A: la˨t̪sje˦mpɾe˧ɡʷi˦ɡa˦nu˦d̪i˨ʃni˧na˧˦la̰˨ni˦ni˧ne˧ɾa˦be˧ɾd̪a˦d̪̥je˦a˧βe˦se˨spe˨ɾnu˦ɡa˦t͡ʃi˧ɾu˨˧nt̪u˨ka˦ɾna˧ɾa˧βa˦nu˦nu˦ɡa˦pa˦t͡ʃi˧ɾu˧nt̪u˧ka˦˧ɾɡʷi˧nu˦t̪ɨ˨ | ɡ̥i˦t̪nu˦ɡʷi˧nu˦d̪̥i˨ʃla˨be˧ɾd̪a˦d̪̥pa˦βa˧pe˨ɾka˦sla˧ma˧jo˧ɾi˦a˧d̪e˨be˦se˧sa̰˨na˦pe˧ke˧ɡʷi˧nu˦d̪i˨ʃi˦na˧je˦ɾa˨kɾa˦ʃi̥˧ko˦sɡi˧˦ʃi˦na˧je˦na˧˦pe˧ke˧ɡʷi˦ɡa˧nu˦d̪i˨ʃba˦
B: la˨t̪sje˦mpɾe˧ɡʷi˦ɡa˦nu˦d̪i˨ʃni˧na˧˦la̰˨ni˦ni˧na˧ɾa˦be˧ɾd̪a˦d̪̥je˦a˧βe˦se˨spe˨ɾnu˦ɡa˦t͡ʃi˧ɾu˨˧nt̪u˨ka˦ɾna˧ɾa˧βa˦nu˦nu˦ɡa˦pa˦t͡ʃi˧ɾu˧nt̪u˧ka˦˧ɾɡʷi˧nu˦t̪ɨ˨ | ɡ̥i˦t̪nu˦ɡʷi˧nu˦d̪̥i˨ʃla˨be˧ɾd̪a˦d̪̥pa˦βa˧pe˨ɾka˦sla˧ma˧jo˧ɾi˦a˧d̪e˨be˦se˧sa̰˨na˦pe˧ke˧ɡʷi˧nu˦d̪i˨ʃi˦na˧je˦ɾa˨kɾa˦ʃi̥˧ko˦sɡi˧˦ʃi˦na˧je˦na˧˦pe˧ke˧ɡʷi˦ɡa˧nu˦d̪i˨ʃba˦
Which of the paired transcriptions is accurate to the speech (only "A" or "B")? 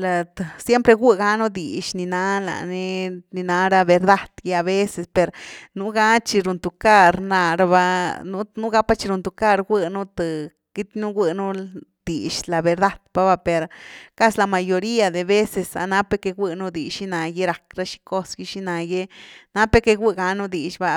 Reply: B